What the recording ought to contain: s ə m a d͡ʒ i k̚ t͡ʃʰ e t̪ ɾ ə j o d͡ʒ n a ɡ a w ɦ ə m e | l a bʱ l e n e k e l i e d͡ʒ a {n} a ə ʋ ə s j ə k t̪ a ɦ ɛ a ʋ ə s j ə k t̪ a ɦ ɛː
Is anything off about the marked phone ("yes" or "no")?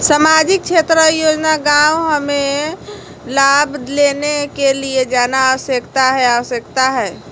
no